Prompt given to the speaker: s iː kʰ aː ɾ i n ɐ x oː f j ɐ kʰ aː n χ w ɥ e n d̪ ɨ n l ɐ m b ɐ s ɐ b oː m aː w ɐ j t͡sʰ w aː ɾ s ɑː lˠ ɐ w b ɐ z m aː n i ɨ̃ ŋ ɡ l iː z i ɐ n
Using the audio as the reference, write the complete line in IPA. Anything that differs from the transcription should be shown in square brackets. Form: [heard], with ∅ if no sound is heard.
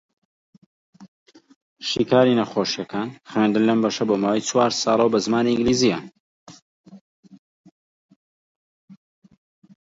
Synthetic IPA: [ʃ] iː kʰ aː ɾ i n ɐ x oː [ʃ] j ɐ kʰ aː n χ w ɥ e n d̪ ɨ n l ɐ m b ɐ [ʃ] ɐ b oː m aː w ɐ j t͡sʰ w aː ɾ s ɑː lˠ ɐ w b ɐ z m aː n i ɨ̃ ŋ ɡ l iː z i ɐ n